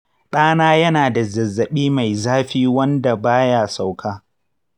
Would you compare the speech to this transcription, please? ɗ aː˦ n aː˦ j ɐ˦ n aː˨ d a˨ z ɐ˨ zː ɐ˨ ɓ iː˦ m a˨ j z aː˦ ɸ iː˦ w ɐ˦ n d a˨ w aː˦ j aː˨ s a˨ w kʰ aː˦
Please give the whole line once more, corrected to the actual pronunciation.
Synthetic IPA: ɗ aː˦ n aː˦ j ɐ˦ n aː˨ d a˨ z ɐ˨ zː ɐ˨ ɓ iː˦ m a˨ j z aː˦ ɸ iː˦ w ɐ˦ n d a˨ b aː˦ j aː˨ s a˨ w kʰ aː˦